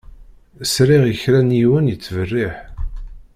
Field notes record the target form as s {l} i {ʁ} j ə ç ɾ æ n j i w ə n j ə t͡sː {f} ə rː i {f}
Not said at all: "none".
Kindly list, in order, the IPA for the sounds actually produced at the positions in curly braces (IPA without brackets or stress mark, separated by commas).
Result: ɾ, ʁ, v, ħ